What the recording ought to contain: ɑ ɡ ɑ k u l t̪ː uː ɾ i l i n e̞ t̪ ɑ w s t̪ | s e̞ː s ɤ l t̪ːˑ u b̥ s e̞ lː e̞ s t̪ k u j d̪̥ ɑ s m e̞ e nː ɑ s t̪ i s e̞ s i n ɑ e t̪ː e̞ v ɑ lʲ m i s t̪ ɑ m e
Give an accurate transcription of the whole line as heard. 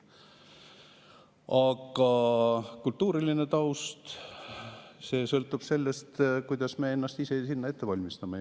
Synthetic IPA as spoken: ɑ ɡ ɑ k u l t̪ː uː ɾ i l i n e̞ t̪ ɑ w s t̪ | s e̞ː s ɤ l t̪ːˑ u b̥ s e̞ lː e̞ s t̪ k u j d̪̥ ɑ s m e̞ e nː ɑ s t̪ i s e̞ s i nː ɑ e t̪ː e̞ v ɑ lʲ m i s t̪ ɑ m e